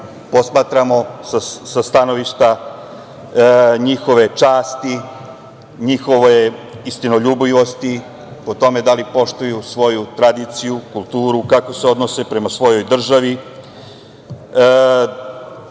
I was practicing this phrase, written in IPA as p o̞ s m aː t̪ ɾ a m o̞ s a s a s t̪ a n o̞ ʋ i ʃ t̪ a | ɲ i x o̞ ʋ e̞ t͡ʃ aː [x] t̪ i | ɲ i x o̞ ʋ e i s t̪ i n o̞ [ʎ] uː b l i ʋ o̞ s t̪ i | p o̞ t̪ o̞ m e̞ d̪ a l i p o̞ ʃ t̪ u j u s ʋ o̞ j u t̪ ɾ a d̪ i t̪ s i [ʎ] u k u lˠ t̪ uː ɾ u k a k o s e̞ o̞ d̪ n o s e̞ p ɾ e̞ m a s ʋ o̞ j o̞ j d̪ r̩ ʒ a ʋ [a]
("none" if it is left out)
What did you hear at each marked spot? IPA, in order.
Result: s, ʎ, j, i

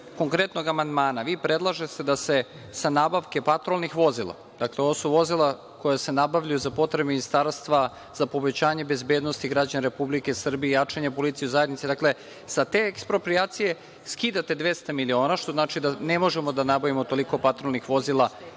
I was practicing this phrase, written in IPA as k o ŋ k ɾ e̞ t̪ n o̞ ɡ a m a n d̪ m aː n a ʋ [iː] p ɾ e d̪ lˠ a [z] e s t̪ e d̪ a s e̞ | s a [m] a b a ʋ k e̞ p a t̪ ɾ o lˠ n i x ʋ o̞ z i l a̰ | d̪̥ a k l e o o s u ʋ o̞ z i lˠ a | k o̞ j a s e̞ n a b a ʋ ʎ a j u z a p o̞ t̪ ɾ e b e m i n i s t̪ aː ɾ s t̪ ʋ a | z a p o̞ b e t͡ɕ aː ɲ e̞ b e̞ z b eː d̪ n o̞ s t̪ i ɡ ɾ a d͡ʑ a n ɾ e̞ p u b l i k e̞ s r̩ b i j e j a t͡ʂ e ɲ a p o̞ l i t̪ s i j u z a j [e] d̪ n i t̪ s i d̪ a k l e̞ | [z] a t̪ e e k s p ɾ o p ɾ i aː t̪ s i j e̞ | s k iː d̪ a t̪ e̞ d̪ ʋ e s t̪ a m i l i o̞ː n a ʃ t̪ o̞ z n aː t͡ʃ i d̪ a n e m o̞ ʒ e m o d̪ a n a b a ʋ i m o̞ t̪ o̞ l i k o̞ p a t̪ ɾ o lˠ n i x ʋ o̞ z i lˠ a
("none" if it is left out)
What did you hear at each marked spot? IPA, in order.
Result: iː, ʒ, n, e, s

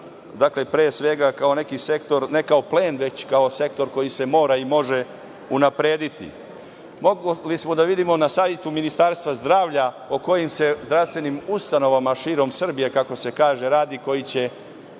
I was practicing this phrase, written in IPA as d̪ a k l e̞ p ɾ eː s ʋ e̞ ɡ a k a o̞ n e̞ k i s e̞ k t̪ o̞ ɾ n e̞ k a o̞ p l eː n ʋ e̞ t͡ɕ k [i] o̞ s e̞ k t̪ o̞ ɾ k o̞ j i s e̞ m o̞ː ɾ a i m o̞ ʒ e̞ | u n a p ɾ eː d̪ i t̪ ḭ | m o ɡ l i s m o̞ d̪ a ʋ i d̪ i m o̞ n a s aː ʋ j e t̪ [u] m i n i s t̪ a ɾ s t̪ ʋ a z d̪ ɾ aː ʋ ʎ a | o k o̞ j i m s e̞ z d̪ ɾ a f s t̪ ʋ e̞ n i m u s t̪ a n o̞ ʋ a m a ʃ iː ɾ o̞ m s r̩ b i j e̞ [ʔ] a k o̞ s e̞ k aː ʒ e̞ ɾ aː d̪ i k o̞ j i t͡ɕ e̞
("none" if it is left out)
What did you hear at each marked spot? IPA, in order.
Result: a, u, k

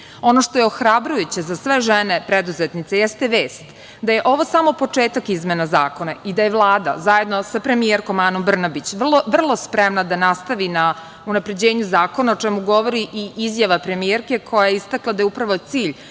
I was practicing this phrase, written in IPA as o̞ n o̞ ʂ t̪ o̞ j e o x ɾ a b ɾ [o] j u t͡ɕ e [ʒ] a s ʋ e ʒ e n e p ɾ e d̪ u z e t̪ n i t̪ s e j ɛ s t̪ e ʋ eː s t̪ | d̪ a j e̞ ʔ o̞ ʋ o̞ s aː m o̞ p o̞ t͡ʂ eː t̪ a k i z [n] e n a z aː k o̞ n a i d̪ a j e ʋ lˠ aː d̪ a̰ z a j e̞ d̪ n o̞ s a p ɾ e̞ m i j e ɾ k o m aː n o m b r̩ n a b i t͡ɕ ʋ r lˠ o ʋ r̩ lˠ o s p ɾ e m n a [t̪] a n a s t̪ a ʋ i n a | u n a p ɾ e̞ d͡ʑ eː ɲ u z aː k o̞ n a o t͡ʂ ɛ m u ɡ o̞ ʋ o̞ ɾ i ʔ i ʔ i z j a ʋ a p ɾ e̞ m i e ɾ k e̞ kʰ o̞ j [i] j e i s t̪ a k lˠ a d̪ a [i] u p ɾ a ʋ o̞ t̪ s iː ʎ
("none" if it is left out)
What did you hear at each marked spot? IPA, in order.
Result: u, z, m, d̪, a, j

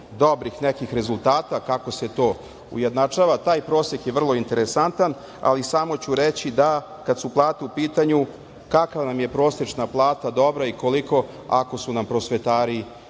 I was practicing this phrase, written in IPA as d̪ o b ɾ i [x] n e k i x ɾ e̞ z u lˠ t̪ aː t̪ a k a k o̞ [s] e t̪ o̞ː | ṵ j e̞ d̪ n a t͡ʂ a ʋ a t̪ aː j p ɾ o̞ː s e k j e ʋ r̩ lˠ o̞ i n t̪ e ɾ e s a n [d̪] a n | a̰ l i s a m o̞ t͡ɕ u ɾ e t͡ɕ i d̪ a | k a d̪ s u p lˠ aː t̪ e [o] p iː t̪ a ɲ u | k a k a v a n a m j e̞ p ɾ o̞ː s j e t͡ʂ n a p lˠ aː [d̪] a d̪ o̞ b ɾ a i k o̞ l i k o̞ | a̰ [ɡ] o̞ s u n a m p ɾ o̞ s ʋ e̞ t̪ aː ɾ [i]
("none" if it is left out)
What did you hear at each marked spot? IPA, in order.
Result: x, s, t̪, u, t̪, k, i

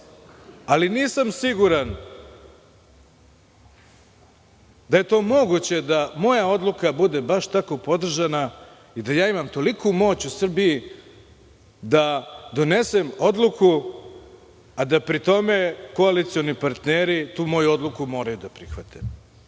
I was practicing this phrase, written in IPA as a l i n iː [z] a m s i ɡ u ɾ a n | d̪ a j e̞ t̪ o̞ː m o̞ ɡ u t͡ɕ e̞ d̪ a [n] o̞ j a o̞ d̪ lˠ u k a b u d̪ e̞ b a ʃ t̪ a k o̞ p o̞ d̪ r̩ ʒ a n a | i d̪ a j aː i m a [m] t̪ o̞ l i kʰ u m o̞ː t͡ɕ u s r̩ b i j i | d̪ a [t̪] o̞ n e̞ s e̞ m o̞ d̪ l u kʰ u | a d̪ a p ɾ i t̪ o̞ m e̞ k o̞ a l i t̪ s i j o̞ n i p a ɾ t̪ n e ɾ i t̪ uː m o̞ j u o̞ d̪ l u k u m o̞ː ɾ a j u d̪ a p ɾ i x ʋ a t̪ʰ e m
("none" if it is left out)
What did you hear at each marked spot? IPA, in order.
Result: s, m, m, d̪

